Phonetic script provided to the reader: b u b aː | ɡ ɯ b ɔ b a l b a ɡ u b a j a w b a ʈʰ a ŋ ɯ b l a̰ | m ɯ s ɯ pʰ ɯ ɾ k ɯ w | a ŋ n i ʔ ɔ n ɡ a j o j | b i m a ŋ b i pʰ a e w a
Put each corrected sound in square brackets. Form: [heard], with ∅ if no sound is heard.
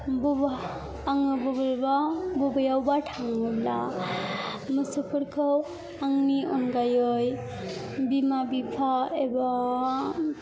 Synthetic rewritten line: b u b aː | [ŋ] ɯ b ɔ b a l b a [b] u b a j a w b a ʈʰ a ŋ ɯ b l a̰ | m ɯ s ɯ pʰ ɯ ɾ [kʰ] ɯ w | a ŋ n i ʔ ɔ n ɡ a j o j | b i m a [∅] b i pʰ a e [b] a